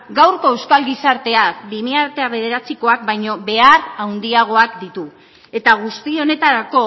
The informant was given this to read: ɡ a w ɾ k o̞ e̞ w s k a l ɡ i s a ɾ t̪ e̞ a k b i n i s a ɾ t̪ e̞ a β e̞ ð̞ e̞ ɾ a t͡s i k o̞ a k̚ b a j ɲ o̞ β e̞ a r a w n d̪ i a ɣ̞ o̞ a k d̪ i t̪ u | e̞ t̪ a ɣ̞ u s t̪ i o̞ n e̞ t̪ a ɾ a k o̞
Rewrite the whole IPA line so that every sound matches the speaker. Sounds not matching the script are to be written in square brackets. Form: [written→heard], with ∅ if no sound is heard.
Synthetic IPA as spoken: ɡ a w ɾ k o̞ e̞ w s k a l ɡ i s a ɾ t̪ e̞ a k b i [n→m] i [s→∅] a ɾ t̪ e̞ a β e̞ ð̞ e̞ ɾ a t͡s i k o̞ a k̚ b a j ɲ o̞ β e̞ a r a w n d̪ i a ɣ̞ o̞ a k d̪ i t̪ u | e̞ t̪ a ɣ̞ u s t̪ i o̞ n e̞ t̪ a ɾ a k o̞